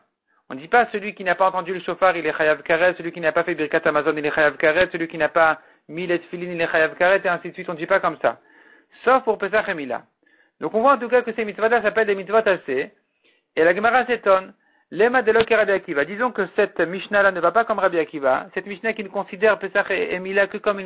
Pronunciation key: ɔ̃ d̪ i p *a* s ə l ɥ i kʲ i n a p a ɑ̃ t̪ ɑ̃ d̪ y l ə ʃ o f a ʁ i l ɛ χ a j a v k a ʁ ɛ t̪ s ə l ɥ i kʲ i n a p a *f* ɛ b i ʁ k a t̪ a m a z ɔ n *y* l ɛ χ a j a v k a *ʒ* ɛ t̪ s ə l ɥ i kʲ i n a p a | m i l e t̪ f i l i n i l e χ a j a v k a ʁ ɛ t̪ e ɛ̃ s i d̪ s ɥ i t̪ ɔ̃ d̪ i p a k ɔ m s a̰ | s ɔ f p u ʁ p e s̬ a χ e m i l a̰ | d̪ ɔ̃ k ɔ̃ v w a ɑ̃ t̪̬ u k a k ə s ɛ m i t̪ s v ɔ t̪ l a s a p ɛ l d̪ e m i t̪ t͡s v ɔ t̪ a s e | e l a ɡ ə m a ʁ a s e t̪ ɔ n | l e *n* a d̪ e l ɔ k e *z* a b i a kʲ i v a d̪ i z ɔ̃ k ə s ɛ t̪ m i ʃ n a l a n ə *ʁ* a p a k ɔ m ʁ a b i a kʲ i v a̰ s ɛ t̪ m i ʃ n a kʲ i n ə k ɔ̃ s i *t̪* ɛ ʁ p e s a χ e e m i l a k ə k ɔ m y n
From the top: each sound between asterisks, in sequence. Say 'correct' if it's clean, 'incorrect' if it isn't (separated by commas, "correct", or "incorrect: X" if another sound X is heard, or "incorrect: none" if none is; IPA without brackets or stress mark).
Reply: correct, correct, incorrect: i, incorrect: ʁ, incorrect: m, incorrect: ʁ, incorrect: v, incorrect: d̪